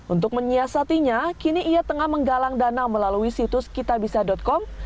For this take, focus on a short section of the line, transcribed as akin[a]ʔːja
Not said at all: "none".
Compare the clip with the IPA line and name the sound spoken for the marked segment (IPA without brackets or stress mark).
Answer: i